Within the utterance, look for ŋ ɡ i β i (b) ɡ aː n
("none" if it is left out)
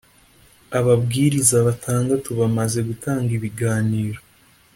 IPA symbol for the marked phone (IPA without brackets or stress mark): none